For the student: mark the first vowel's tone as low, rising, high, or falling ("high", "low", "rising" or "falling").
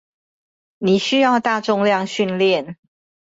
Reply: low